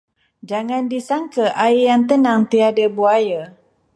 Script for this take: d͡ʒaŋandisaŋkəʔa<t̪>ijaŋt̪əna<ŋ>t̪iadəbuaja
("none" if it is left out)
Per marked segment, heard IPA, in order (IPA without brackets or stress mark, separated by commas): none, ŋ